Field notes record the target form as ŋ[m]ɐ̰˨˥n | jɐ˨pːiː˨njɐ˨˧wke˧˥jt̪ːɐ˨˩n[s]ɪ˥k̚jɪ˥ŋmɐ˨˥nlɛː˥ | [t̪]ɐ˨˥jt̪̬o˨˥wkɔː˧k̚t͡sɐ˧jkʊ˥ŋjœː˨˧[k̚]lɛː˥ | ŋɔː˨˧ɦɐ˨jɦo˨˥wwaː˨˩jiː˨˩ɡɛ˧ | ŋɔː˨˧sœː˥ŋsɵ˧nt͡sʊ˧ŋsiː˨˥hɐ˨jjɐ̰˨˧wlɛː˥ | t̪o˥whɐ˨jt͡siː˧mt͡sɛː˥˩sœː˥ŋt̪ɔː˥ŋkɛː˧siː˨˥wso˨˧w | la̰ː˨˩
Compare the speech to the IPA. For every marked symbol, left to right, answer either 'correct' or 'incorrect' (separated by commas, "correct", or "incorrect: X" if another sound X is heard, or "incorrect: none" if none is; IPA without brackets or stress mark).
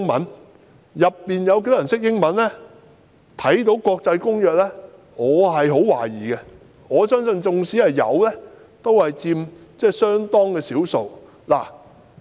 correct, correct, incorrect: t̪ʰ, correct